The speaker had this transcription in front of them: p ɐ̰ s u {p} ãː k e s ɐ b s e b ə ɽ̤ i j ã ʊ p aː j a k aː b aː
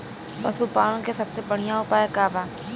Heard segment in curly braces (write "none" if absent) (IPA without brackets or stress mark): p